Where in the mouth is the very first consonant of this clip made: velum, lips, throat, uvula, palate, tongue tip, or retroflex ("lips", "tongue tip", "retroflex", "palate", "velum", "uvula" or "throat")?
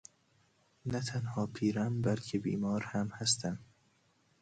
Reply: tongue tip